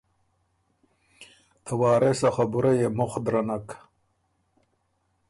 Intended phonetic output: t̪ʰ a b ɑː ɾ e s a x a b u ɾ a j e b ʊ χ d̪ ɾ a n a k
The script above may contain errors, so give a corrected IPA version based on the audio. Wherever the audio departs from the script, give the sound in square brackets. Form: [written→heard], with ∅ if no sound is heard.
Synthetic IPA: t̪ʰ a [b→w] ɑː ɾ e s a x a b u ɾ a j e [b→m] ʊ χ d̪ ɾ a n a k